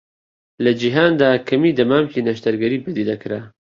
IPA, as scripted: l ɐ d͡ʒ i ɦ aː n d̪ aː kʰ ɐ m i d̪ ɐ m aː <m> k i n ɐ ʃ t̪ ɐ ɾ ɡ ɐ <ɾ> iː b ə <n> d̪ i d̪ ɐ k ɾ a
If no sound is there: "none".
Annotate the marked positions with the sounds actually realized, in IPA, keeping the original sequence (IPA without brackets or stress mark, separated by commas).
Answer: m, ɾ, none